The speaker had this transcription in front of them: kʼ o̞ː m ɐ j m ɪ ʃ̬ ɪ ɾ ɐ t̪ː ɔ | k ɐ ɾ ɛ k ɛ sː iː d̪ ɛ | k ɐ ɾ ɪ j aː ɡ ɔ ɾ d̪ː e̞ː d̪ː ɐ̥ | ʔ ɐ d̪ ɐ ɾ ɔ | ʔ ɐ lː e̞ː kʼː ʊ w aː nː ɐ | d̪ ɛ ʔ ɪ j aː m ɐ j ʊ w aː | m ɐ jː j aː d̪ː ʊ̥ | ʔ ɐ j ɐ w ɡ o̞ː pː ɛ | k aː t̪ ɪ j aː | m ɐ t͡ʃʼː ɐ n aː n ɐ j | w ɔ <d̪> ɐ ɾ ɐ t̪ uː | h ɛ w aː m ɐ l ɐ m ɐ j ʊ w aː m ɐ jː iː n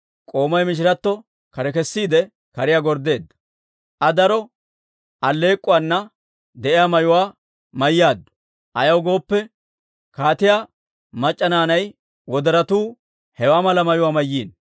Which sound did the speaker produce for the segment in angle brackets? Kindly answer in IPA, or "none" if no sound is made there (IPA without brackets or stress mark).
d̪